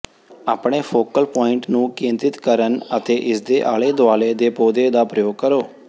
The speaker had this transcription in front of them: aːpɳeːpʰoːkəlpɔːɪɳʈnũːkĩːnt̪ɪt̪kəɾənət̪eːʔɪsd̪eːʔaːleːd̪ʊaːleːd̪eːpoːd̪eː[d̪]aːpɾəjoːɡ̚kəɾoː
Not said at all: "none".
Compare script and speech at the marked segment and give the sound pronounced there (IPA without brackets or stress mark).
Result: d̪